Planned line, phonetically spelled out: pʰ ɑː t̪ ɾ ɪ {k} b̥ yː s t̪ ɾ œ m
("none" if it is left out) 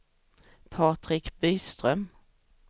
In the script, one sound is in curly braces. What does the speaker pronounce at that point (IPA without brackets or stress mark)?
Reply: k